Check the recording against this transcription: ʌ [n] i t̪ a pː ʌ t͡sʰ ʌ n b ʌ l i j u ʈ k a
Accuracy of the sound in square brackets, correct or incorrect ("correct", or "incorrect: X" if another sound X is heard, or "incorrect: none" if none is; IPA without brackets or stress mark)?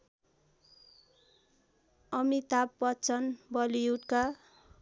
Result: incorrect: m